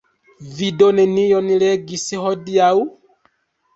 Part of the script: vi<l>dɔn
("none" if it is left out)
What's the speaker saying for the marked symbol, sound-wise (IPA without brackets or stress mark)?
none